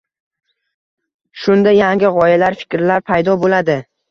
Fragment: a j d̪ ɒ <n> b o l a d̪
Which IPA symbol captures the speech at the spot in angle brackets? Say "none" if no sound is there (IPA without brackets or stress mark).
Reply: none